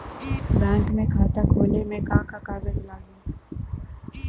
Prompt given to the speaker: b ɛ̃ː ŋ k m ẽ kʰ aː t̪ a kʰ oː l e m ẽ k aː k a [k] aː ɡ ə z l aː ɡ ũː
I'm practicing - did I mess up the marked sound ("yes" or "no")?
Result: no